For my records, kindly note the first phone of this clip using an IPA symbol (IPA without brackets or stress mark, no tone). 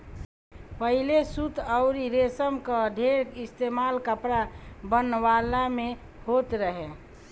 p